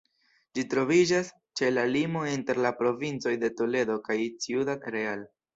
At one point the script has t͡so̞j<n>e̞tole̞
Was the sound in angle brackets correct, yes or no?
no